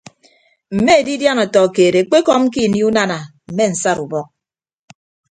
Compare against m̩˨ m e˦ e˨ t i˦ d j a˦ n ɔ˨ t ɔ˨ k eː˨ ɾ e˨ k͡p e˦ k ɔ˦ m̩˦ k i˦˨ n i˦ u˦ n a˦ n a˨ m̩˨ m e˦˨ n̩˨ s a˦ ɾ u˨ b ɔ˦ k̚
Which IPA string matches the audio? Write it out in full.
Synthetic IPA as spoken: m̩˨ m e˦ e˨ d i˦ d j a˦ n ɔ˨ t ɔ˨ k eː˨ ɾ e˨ k͡p e˦ k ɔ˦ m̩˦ k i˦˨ n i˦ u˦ n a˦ n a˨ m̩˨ m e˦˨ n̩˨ s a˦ ɾ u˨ b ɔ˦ k̚

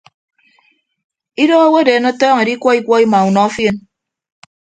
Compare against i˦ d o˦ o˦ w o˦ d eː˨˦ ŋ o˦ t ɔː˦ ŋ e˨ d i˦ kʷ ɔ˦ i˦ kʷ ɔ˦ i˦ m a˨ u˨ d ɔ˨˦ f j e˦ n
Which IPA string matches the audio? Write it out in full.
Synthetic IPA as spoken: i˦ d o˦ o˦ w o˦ d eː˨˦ n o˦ t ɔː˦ ŋ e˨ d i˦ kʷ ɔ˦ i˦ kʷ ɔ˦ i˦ m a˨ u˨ n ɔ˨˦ f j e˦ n

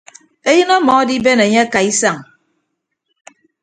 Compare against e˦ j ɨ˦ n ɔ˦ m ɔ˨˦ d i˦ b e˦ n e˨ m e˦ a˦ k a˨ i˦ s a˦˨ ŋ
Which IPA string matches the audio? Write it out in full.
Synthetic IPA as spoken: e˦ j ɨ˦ n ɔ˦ m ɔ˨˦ d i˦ b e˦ n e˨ ɲ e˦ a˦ k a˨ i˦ s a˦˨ ŋ

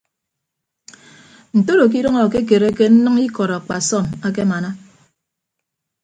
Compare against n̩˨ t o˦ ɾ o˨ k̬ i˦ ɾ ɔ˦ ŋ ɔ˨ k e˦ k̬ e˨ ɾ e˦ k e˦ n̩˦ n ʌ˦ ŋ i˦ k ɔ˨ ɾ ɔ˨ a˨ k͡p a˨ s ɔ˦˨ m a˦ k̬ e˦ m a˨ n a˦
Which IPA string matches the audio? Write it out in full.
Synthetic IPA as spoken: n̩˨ t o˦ ɾ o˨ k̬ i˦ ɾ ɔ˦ ŋ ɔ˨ k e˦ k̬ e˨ ɾ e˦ k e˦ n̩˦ n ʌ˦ ŋ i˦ k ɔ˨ ɾ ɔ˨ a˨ k͡p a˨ s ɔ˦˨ m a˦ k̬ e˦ m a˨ n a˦

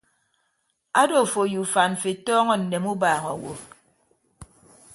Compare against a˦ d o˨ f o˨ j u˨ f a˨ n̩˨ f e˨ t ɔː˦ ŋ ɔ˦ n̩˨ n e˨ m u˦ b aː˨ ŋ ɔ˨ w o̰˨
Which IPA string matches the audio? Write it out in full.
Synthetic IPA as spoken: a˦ d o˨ f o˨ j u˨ f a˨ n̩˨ f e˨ t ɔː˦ ŋ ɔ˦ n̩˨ n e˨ m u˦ b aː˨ ŋ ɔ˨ w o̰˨

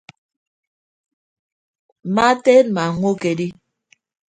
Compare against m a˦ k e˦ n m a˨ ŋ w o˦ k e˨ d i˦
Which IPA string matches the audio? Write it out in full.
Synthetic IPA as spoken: m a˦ t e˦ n m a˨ ŋ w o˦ k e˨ d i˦

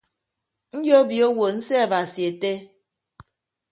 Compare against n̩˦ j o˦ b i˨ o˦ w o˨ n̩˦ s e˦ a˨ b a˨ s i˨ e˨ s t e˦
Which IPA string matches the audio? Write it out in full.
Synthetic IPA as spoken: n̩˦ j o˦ b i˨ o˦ w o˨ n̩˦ s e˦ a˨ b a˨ s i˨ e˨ t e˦

